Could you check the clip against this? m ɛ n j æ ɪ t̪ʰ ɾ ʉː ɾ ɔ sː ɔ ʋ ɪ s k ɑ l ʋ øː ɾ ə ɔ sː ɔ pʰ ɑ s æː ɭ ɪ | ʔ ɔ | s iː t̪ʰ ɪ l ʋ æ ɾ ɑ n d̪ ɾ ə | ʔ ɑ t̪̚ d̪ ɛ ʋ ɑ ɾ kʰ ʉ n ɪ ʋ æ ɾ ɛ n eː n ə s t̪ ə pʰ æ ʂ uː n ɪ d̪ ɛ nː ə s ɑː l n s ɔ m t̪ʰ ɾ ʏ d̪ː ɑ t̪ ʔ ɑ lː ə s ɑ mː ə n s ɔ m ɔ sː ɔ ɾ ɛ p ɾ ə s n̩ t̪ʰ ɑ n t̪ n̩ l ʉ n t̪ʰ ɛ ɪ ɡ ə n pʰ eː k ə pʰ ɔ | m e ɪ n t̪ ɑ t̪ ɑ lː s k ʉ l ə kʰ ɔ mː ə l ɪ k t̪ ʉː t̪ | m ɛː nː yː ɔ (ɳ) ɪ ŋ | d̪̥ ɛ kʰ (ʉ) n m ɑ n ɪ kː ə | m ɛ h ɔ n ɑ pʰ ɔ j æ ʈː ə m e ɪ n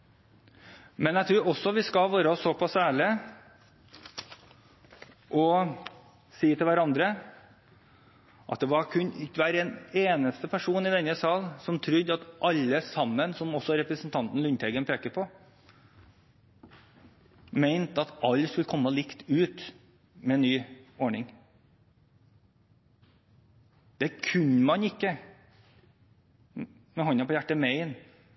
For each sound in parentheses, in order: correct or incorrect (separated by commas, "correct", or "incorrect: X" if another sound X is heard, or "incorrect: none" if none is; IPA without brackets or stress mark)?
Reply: correct, correct